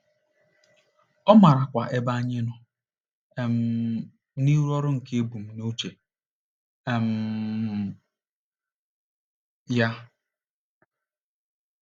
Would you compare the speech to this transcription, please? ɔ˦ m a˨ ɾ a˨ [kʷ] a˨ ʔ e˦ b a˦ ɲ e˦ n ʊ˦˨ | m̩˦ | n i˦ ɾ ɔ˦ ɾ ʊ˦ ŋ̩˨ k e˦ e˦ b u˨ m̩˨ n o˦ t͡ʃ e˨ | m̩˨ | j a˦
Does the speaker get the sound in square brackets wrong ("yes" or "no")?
no